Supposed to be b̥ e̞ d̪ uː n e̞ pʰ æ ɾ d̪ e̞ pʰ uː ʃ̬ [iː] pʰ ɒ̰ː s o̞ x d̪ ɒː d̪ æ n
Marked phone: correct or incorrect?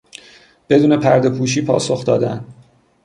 correct